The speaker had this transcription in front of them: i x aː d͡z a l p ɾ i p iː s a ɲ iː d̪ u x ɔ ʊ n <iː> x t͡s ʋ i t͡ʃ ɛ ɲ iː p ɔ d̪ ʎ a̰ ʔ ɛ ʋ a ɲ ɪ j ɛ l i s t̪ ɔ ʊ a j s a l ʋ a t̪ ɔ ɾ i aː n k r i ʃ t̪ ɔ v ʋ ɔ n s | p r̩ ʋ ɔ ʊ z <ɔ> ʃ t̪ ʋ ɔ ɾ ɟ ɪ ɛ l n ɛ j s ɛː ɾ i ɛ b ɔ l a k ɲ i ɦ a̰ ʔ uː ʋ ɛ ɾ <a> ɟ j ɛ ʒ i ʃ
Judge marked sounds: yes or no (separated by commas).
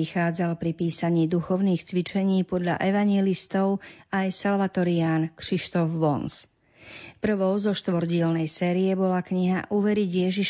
yes, yes, no